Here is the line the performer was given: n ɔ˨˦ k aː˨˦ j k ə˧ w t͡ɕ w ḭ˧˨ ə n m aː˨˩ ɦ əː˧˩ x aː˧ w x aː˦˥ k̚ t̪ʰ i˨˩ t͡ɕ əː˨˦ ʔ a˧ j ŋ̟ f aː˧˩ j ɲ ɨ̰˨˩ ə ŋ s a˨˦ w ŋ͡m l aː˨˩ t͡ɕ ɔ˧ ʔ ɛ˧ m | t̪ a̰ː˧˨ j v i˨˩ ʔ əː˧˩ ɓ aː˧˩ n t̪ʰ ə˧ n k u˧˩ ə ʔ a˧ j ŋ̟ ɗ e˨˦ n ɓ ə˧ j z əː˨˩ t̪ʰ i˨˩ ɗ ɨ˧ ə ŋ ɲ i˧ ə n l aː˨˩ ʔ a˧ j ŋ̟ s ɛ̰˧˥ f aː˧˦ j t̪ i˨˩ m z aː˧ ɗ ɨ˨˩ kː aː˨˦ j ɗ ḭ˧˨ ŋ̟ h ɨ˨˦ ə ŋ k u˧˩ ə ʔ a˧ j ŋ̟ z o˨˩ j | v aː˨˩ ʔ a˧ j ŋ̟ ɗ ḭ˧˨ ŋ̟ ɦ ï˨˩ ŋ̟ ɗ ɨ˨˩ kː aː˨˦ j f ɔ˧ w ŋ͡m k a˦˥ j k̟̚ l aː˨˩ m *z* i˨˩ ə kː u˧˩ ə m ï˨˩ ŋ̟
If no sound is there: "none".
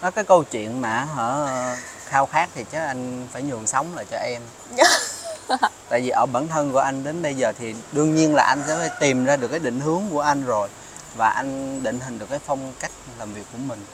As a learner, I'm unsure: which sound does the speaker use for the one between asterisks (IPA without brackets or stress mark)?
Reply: v